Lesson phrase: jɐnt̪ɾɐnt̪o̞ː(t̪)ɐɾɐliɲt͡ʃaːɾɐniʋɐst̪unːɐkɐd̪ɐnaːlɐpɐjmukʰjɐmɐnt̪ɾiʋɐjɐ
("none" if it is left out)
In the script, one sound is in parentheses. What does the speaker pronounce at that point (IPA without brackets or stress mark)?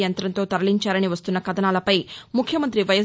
t̪